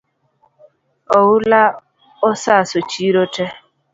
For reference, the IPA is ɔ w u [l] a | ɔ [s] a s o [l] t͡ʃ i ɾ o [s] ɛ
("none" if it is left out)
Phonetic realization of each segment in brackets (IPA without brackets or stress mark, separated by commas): l, s, none, t